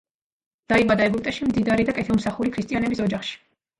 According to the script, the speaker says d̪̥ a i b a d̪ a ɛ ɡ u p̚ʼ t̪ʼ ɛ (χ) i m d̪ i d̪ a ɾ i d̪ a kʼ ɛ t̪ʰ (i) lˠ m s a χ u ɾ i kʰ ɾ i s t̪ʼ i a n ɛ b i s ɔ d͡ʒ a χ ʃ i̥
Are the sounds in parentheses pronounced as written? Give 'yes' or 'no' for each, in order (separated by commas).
no, no